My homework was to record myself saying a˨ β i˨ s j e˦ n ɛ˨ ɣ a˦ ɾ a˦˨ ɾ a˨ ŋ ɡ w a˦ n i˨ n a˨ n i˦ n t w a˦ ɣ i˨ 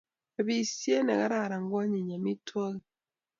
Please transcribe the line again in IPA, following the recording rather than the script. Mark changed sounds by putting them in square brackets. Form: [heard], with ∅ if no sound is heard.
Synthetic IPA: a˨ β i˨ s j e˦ n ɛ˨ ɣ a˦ ɾ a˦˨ ɾ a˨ ŋ ɡ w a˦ [ɲ] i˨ [ɲ] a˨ [m] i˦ [∅] t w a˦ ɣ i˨

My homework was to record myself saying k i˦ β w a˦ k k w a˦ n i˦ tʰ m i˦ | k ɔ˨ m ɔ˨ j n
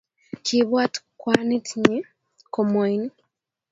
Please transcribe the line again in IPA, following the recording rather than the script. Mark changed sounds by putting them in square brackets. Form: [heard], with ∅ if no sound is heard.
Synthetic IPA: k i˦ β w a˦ [t] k w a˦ n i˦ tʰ [ɲ] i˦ | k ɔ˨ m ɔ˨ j n

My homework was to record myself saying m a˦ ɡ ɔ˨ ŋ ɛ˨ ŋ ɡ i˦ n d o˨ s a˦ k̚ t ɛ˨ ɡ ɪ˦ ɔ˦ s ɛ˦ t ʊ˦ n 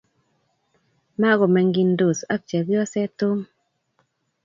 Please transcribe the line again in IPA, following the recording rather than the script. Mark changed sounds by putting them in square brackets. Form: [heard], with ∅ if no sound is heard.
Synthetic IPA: m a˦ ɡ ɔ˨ [m] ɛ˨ ŋ ɡ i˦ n d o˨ s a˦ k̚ [t͡ʃ] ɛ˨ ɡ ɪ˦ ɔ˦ s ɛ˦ t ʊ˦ [m]

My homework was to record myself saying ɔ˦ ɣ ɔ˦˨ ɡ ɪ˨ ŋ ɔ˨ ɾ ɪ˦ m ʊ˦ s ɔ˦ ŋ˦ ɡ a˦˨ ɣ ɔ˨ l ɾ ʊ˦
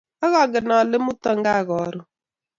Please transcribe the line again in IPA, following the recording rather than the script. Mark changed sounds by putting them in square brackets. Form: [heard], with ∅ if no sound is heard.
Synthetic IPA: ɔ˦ ɣ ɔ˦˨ ɡ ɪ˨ [n] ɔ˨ [l] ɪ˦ m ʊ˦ [t] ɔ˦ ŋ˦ ɡ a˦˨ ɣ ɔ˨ [∅] ɾ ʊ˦

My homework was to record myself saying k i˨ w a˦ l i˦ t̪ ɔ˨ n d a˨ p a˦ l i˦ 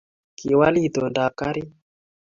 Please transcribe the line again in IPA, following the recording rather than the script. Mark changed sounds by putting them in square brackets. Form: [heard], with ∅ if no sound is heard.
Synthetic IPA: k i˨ w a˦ l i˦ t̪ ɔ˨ n d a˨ [k] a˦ [ɾ] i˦

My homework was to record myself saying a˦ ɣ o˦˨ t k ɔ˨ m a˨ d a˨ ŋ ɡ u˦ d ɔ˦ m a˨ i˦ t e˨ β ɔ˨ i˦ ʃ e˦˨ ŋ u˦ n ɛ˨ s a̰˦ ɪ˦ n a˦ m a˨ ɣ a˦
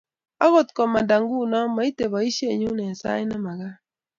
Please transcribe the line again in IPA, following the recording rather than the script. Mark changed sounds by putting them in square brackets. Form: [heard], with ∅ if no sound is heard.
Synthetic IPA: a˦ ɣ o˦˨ t k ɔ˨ m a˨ d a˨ ŋ ɡ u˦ [n] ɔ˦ m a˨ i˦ t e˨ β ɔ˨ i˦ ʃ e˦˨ [ɲ] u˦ n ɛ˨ s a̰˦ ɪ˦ n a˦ m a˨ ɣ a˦

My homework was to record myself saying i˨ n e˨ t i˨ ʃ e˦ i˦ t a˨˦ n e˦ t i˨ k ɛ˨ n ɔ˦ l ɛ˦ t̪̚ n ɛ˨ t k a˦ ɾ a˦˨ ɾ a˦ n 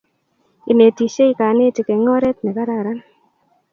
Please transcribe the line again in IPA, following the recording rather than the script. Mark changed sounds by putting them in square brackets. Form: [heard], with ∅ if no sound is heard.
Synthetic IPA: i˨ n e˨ t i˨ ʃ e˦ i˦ [k] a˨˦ n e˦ t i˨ k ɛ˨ [ŋ] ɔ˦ [ɾ] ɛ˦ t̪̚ n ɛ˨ [∅] k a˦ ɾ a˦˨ ɾ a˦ n

